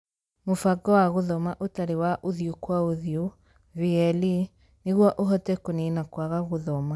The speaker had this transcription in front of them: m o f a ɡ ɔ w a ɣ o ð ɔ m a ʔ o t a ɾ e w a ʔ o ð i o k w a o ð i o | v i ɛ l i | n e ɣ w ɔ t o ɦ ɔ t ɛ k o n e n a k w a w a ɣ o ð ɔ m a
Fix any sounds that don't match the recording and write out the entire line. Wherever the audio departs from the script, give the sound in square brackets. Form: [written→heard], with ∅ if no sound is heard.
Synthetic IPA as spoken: m o f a ɡ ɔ w a ɣ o ð ɔ m a ʔ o t a ɾ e w a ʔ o ð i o k w a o ð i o | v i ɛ l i | n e ɣ w ɔ [t→ʔ] o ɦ ɔ t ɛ k o n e n a k w a [w→ɣ] a ɣ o ð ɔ m a